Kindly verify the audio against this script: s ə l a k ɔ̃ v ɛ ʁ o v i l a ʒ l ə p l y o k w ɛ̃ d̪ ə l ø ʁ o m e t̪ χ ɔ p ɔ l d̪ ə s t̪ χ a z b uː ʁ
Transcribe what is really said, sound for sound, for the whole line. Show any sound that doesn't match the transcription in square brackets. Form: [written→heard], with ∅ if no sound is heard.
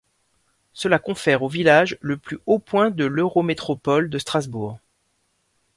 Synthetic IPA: s ə l a k ɔ̃ [v→f] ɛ ʁ o v i l a ʒ l ə p l y o [k→p] w ɛ̃ d̪ ə l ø ʁ o m e t̪ χ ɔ p ɔ l d̪ ə s t̪ χ a z b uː ʁ